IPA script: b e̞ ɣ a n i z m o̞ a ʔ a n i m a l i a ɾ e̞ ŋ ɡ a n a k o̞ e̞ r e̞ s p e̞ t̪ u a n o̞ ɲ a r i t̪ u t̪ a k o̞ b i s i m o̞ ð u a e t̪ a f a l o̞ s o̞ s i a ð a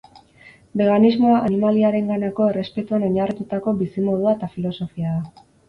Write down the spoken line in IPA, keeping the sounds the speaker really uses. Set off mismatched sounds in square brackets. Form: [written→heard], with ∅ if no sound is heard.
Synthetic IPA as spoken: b e̞ ɣ a n i z m o̞ a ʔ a n i m a l i a ɾ e̞ ŋ ɡ a n a k o̞ e̞ r e̞ s p e̞ t̪ u a n o̞ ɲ a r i t̪ u t̪ a k o̞ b i s i m o̞ ð u a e t̪ a f [a→i] l o̞ s o̞ [s→f] i a ð a